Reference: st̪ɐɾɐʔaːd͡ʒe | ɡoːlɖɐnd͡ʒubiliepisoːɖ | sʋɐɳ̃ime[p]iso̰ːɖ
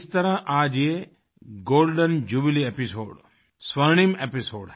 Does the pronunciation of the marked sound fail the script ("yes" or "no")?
no